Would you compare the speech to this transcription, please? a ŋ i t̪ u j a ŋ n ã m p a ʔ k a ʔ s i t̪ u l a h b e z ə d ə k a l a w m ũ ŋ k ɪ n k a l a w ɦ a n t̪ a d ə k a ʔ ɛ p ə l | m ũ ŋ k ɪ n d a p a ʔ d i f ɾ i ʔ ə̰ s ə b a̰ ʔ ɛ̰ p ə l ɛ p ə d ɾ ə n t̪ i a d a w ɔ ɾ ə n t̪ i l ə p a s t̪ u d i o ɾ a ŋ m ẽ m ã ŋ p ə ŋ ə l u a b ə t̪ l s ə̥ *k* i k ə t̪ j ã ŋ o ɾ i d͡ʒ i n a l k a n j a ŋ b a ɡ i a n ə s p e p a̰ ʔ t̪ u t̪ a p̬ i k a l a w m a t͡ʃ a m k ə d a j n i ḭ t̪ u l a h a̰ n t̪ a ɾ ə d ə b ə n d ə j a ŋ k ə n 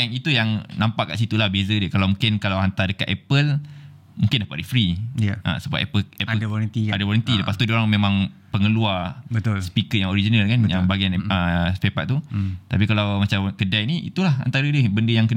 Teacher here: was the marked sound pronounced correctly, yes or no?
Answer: no